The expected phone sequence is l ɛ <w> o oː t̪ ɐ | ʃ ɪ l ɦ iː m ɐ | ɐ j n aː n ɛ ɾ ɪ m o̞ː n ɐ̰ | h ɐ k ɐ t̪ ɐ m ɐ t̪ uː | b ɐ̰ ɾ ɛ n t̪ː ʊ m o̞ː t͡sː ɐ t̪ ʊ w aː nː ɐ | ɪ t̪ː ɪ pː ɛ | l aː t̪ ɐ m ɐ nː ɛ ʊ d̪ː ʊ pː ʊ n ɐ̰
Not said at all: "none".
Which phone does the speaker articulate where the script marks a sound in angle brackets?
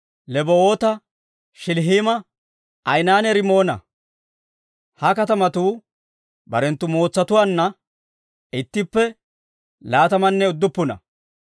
b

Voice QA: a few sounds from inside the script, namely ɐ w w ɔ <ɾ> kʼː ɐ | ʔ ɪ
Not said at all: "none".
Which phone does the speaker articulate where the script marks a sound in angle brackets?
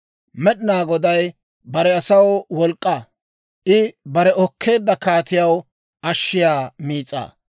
l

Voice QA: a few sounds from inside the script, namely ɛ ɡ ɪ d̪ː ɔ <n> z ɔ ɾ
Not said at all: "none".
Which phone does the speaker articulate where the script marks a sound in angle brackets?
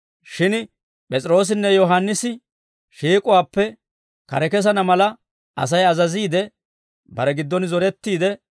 n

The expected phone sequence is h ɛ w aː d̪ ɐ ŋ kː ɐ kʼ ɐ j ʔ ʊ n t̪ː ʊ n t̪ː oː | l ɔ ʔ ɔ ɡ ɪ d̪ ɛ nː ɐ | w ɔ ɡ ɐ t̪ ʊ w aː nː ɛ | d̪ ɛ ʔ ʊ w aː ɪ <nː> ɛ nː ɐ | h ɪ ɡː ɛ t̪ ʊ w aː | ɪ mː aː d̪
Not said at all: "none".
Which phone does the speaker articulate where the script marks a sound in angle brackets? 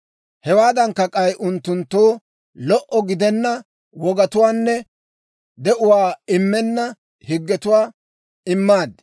mː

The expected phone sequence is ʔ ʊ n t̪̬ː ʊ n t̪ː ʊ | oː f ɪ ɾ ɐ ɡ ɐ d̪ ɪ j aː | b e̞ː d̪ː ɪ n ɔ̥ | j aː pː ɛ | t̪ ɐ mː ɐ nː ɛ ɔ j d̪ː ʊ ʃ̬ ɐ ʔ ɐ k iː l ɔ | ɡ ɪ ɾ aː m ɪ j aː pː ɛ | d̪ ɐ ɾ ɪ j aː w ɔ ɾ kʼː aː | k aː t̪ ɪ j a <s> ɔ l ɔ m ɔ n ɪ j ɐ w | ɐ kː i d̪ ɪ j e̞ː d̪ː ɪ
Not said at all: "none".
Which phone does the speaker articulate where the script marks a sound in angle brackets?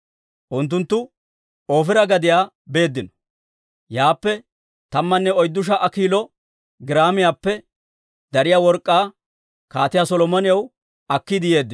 s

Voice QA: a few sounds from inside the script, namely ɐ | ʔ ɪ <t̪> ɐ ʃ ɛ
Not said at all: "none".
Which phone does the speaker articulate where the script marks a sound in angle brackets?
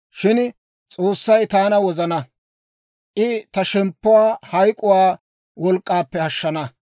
t̪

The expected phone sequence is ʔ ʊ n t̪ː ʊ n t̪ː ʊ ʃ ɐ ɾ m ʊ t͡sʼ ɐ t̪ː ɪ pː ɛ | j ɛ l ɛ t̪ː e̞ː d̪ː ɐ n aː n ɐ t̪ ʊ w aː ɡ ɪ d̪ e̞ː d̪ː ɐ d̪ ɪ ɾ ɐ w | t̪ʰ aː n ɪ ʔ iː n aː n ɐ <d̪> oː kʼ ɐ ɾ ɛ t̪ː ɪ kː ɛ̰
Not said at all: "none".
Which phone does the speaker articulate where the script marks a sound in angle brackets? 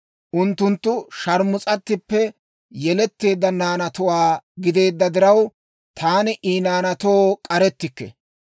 t̪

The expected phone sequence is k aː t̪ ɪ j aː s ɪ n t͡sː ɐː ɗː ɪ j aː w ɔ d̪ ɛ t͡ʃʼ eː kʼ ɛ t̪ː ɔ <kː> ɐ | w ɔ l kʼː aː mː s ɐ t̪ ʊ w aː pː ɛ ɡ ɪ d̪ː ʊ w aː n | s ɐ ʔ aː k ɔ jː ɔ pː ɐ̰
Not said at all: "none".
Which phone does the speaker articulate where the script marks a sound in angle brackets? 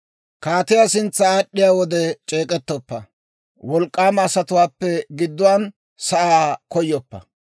pː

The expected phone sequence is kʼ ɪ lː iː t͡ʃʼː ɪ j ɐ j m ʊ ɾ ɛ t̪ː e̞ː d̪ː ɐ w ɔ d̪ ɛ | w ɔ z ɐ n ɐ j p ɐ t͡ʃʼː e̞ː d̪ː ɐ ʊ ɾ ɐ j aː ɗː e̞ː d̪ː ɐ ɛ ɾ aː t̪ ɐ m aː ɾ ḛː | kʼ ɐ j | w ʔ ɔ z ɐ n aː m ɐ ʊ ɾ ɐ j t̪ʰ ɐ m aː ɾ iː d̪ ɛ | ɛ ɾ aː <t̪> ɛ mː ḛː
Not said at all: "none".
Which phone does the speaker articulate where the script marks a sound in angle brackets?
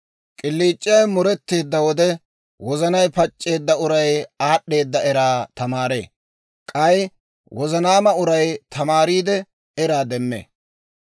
d̪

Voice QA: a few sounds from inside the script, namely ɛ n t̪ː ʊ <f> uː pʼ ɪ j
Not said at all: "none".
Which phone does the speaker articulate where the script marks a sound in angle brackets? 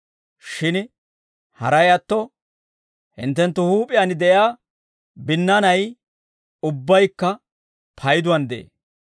h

